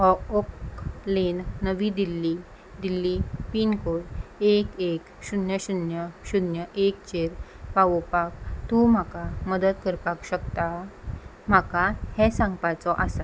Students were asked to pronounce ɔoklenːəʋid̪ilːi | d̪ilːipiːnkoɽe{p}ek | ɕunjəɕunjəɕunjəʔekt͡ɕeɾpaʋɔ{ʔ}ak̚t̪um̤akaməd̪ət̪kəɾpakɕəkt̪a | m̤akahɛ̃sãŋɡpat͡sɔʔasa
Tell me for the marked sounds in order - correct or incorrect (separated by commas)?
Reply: incorrect, incorrect